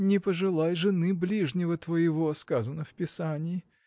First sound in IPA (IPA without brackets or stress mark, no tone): nʲ